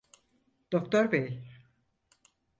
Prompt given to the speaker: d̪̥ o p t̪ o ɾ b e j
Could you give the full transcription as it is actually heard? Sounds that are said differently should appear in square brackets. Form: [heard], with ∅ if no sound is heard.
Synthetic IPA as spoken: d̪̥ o [k] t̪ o ɾ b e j